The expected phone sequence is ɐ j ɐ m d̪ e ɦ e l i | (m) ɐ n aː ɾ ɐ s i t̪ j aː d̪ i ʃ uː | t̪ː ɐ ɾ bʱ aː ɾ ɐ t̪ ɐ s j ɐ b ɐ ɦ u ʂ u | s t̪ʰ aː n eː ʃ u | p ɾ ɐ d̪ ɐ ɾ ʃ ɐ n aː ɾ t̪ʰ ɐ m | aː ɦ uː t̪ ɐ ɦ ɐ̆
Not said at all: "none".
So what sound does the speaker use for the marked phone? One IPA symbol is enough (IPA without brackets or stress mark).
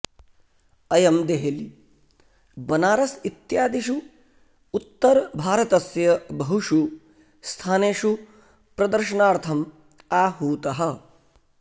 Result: b